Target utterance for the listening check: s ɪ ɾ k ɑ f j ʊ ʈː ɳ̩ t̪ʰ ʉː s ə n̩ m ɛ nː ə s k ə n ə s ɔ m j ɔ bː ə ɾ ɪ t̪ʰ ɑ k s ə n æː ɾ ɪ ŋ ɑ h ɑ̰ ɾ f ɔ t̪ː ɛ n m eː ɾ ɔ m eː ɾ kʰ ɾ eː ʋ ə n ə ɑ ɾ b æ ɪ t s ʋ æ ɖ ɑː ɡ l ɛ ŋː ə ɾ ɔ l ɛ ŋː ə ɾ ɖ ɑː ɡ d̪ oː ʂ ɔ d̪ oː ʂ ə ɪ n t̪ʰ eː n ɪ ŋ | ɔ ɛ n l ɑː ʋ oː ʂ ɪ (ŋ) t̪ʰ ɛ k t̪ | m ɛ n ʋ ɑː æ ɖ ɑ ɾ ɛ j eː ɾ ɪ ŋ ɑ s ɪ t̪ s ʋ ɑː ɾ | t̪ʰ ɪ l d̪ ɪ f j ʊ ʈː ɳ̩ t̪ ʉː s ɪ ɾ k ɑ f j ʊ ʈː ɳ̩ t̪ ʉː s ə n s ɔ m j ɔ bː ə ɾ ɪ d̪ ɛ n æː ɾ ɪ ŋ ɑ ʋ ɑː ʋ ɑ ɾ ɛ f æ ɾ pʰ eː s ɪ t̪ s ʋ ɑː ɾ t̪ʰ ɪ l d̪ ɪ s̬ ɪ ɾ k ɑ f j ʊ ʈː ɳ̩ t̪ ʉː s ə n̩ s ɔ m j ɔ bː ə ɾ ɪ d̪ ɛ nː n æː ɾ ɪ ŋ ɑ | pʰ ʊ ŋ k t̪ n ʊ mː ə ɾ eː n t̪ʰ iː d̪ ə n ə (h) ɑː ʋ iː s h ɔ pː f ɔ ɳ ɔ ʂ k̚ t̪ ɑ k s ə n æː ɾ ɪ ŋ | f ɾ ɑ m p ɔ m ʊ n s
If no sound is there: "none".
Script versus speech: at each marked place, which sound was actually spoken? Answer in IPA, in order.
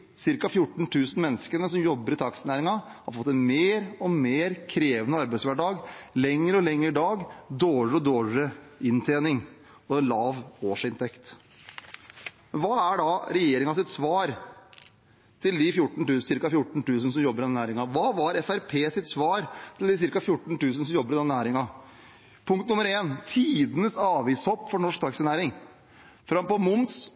n, s

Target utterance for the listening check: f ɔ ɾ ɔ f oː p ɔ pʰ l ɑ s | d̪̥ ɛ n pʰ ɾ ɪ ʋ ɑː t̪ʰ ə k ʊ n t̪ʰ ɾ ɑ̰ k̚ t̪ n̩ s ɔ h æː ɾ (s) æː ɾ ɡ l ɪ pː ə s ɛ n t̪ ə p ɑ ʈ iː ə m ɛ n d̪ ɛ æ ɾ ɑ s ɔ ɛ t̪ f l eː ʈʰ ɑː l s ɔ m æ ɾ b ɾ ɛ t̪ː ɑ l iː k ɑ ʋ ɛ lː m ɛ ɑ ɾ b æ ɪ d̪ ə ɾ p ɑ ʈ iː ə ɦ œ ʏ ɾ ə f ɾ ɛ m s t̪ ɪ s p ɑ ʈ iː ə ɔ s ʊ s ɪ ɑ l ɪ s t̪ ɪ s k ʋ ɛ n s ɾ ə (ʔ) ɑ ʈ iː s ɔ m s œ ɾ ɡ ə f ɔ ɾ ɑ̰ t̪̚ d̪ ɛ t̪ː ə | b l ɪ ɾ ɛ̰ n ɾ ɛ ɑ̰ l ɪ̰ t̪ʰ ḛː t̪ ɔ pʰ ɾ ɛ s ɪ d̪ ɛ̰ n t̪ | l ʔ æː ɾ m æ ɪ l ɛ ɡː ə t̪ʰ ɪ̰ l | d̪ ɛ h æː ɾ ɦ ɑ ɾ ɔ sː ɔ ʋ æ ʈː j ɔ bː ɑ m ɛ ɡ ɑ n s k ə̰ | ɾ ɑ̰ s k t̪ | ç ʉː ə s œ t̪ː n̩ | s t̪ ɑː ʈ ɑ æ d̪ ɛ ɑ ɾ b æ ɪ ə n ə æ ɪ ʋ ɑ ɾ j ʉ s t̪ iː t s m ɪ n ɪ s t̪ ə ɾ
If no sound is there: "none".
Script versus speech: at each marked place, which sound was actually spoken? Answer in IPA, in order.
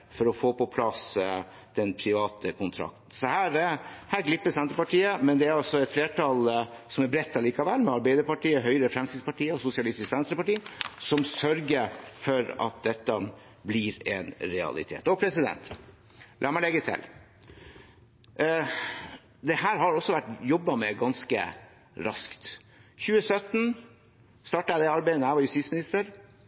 h, p

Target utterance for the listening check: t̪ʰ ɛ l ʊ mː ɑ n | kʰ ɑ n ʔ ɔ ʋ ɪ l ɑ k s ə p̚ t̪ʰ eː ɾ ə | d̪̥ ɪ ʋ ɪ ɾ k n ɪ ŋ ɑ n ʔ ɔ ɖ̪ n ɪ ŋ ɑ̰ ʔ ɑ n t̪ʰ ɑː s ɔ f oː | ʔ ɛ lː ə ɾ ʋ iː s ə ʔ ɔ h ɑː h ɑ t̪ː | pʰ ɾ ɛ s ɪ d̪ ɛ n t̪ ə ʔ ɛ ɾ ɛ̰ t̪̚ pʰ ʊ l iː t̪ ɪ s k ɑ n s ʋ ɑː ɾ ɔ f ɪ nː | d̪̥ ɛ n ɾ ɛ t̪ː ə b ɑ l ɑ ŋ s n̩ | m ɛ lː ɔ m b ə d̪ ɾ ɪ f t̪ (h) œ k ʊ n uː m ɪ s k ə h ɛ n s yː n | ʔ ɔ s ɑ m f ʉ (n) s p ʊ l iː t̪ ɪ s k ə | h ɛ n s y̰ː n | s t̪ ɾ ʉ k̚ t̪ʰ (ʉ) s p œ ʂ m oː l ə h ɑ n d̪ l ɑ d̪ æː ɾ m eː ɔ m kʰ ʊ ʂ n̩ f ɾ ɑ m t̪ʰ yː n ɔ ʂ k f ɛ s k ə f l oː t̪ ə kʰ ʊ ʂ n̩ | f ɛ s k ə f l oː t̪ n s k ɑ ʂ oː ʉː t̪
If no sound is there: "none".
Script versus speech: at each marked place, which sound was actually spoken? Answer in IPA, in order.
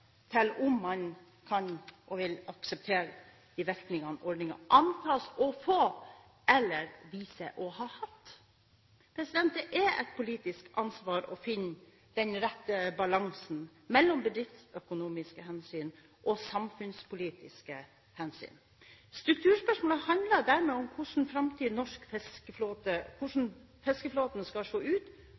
s, n, ʉː

